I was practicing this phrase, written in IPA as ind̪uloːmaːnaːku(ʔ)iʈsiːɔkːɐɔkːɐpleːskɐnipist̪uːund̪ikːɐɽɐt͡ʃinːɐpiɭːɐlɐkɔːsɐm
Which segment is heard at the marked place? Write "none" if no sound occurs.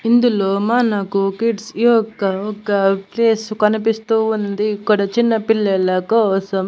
k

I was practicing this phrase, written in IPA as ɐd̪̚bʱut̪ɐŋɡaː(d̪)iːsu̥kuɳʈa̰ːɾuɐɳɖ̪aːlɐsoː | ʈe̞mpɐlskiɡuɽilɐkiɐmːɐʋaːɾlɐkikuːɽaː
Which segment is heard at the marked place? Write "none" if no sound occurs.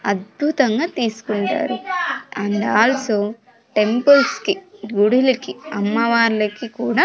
t̪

